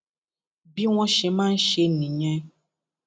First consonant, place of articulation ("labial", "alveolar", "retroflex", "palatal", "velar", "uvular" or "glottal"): labial